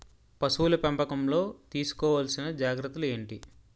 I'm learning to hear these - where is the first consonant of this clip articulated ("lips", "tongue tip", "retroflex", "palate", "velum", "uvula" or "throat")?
lips